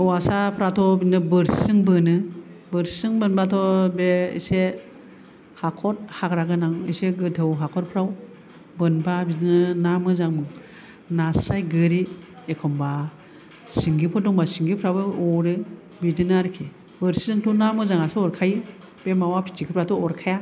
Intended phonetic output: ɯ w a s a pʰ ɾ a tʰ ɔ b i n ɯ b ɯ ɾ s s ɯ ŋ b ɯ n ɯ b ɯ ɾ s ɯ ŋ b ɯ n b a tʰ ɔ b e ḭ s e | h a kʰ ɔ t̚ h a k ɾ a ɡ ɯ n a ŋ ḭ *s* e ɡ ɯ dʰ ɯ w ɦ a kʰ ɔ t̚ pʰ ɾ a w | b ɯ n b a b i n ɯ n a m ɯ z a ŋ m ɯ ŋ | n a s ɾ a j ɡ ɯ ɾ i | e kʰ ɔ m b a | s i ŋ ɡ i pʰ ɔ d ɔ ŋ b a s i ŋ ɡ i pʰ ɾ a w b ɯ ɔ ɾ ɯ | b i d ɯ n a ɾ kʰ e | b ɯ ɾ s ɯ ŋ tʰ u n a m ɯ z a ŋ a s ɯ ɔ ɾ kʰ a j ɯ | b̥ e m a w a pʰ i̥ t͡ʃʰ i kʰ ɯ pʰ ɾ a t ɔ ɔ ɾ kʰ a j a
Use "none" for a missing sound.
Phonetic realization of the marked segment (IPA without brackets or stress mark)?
s